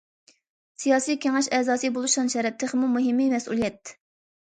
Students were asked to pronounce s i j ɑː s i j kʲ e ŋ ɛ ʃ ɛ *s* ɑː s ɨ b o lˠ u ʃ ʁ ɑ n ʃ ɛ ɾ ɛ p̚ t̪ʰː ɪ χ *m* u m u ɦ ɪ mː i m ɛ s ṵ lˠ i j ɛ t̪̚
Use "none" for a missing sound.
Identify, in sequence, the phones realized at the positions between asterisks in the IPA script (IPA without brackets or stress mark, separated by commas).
z, m